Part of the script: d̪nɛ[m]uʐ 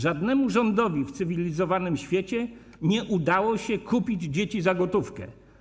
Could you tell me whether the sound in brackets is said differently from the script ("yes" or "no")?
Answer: no